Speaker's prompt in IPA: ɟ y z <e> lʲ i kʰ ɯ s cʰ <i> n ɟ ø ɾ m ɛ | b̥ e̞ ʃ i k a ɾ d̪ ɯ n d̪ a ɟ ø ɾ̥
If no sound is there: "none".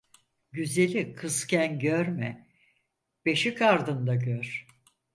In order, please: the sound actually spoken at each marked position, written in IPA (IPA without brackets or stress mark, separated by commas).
e, æ